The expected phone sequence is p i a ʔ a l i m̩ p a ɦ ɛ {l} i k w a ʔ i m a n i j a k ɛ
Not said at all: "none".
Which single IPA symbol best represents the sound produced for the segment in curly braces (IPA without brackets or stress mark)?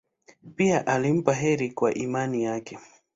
ɾ